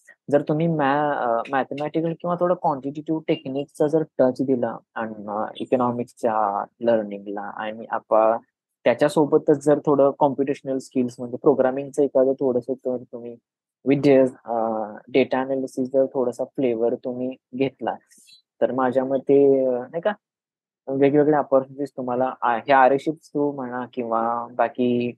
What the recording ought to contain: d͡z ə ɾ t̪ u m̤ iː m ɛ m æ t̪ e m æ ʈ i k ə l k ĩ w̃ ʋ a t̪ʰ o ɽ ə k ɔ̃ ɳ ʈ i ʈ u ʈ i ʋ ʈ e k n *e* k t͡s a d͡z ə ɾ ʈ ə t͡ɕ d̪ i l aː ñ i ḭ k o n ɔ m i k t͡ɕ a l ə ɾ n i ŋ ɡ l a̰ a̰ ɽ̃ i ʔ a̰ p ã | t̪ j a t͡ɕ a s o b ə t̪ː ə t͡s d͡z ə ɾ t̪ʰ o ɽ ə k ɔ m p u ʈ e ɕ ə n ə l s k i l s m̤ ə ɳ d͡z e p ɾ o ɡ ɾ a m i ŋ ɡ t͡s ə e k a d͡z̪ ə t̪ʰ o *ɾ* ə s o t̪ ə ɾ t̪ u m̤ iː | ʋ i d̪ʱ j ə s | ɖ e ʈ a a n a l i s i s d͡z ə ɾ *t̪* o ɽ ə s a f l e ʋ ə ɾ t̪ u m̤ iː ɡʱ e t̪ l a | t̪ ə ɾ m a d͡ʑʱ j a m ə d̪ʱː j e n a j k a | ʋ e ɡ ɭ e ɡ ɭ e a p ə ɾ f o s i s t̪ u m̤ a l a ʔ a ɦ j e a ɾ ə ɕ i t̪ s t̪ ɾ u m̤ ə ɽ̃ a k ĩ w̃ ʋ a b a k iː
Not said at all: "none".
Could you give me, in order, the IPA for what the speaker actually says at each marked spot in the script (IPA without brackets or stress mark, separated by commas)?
i, ɽ, t̪ʰ